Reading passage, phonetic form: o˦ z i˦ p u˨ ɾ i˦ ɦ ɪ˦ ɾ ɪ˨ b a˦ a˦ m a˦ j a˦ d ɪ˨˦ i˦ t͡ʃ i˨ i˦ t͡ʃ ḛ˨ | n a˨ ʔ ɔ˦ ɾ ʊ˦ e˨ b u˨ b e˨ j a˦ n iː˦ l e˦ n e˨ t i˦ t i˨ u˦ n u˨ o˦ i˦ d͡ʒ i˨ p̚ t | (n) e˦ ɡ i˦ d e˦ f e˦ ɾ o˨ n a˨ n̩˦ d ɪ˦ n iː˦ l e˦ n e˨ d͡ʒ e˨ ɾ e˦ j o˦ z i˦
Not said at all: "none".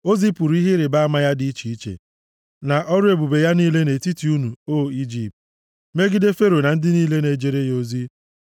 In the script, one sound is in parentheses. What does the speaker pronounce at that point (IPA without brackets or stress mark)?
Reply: m